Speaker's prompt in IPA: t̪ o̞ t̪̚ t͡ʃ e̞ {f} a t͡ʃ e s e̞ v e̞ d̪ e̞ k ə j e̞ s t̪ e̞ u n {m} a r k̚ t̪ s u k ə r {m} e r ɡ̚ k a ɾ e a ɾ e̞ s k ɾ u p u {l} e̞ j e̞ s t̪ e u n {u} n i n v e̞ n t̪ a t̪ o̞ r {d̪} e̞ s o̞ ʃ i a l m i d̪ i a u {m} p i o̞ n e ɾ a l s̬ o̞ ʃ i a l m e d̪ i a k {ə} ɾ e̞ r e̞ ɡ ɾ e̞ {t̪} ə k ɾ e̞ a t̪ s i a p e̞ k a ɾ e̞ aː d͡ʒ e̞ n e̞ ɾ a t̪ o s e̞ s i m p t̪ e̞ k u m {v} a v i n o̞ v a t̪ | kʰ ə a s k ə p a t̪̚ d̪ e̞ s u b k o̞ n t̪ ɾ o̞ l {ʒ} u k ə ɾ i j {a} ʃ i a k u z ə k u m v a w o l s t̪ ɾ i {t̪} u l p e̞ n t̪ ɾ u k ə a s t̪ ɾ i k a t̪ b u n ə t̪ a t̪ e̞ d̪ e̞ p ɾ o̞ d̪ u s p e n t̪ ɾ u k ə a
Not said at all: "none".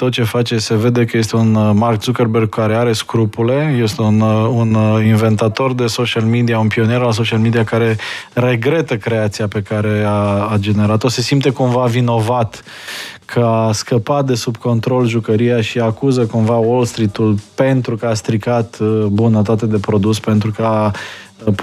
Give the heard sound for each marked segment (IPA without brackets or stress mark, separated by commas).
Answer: f, m, b, l, u, d̪, n, a, t̪, v, ʒ, a, t̪